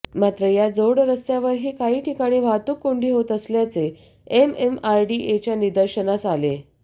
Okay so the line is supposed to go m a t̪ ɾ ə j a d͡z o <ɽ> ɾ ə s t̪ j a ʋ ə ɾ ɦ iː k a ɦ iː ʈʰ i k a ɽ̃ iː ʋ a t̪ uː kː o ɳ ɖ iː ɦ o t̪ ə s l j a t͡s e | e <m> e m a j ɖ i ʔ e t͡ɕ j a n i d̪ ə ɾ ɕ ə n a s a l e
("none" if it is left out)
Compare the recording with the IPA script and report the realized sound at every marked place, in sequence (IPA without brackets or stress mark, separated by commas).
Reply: ɽ, m